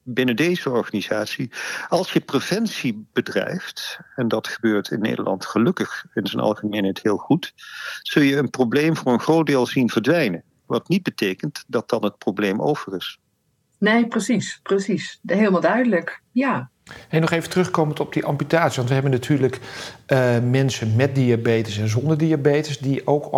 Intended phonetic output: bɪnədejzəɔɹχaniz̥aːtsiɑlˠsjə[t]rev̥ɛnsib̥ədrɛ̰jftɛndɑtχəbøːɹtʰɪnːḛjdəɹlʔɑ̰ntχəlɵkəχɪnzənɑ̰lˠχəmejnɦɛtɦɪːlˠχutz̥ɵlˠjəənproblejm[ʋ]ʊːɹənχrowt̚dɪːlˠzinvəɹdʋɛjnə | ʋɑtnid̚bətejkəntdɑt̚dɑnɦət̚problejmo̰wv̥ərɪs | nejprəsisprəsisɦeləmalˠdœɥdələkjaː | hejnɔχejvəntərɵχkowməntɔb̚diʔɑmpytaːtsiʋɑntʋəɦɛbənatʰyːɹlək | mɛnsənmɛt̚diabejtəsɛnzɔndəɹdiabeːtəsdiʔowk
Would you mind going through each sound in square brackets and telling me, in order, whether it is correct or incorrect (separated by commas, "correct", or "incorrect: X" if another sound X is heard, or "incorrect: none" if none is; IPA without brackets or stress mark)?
incorrect: p, incorrect: v